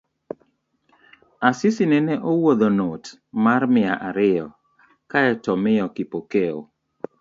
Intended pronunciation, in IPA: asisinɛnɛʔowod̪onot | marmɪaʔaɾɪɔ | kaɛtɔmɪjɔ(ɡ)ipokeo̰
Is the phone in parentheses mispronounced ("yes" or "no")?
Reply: yes